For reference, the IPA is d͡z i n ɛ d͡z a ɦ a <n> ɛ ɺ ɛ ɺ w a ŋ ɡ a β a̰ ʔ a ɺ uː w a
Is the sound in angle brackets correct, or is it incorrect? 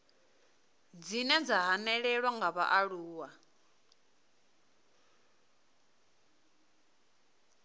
correct